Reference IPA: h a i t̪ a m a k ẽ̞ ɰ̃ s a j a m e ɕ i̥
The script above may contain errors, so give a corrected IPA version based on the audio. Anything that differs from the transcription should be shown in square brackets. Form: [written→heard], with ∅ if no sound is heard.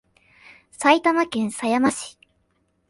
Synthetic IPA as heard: [h→s] a i t̪ a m a k ẽ̞ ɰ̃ s a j a m [e→a] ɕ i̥